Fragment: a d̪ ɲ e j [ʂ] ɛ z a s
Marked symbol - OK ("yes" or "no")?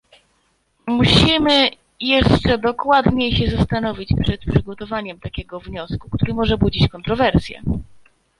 no